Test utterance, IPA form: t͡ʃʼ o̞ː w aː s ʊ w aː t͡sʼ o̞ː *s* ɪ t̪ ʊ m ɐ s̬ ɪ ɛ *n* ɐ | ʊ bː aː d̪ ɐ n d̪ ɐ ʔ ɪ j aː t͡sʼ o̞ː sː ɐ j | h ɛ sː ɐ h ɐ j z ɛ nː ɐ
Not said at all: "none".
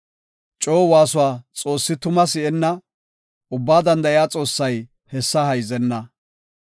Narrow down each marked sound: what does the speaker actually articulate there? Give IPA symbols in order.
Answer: sː, nː

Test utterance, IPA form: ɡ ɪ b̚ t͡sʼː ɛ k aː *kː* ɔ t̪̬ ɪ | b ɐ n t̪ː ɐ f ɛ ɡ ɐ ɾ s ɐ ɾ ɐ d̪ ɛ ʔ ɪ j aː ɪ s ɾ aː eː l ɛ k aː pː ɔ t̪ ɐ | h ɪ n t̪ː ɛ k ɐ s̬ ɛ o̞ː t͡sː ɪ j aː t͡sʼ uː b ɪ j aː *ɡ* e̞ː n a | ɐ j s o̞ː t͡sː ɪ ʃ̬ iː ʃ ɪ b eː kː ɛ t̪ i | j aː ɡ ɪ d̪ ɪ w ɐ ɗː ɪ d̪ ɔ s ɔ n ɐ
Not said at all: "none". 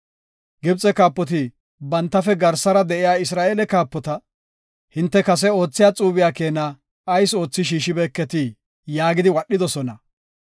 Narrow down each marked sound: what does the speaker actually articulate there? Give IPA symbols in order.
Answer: pː, k

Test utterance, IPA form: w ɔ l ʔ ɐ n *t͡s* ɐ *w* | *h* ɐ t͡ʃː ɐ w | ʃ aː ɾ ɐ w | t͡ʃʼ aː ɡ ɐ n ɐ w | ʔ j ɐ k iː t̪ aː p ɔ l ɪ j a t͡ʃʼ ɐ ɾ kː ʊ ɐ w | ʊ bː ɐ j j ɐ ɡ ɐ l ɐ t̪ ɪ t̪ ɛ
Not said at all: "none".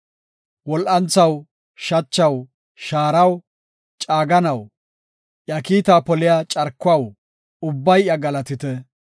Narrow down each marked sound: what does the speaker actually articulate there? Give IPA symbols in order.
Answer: t͡s, w, ʃ

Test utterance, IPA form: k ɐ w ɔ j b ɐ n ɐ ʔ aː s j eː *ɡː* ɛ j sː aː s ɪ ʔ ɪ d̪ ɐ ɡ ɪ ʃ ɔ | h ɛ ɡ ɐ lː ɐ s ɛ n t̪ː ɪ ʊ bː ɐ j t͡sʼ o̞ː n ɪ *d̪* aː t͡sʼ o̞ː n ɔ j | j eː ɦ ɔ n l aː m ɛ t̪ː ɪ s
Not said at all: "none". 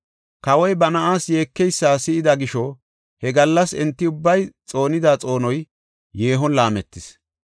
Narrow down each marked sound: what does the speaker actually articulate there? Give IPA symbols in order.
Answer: kː, d̪

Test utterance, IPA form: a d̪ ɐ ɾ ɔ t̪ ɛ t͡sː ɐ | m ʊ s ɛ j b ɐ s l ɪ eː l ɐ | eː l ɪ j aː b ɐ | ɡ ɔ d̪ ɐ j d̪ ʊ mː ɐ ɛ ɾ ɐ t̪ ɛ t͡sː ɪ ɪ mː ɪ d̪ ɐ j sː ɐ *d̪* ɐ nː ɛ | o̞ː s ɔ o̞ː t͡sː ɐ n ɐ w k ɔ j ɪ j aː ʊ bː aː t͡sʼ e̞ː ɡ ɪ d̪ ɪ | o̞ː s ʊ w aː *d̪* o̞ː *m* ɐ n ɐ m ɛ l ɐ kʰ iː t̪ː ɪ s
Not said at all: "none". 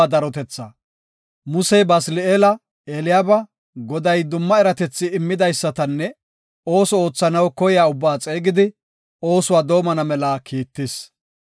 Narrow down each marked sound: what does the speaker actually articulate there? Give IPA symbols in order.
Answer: t̪, d̪, m

